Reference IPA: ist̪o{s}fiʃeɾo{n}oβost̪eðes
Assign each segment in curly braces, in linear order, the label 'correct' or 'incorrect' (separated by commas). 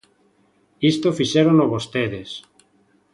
incorrect, correct